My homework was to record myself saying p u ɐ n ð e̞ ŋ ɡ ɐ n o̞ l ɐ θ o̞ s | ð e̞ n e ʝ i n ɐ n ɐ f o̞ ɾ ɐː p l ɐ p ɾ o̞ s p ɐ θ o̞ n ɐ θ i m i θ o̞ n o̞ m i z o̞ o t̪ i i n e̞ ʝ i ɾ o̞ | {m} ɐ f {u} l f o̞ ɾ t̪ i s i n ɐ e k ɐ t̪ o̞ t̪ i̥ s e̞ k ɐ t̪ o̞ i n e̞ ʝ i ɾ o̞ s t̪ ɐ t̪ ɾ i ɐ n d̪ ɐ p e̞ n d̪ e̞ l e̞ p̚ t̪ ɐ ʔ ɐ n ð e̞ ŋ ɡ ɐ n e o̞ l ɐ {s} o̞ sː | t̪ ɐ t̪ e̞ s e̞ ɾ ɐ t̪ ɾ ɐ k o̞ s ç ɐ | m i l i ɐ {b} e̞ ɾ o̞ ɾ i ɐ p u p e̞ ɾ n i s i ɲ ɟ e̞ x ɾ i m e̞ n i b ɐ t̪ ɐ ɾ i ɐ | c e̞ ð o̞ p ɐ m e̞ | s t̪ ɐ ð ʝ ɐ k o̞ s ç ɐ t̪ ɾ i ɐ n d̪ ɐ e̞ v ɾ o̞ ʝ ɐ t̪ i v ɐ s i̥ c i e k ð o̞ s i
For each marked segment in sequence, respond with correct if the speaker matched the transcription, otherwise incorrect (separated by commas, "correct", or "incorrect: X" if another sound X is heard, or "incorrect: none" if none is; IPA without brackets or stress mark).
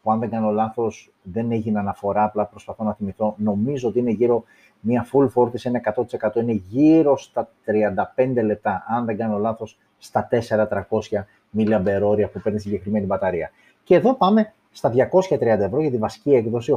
correct, correct, incorrect: θ, correct